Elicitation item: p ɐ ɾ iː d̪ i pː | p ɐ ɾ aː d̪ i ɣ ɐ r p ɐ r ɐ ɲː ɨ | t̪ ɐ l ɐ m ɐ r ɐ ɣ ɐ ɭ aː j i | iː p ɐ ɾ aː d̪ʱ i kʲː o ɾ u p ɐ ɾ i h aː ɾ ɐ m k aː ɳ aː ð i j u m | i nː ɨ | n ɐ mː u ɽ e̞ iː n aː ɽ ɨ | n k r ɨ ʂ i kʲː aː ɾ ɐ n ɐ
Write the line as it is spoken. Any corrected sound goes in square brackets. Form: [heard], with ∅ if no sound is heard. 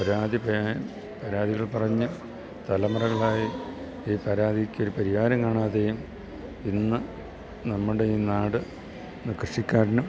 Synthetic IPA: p ɐ ɾ [aː] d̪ i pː | p ɐ ɾ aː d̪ i ɣ ɐ [ɭ] p ɐ r ɐ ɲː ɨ | t̪ ɐ l ɐ m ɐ r ɐ ɣ ɐ ɭ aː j i | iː p ɐ ɾ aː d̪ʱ i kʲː o ɾ u p ɐ ɾ i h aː ɾ ɐ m k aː ɳ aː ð [e] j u m | i nː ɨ | n ɐ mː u ɽ e̞ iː n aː ɽ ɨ | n k r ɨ ʂ i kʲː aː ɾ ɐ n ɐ